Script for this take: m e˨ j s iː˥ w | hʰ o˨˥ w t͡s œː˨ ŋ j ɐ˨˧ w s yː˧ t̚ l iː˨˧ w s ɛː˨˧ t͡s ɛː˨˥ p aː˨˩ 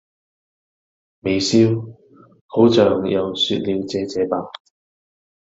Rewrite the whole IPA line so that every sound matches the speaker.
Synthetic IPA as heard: m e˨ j s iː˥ w | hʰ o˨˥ w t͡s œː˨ ŋ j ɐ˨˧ w s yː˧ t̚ l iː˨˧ w t͡s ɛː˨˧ t͡s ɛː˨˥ p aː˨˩